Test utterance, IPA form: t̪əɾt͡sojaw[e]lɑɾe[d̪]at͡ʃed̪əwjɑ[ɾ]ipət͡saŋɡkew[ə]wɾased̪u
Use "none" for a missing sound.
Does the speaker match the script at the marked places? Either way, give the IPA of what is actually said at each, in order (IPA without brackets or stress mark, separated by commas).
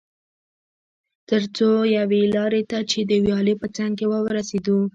e, t̪, l, ə